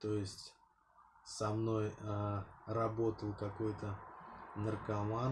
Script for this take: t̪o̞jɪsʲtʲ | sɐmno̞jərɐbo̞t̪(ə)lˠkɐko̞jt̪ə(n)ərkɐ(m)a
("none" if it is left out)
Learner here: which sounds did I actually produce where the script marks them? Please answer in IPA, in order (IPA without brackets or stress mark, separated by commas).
ə, n, m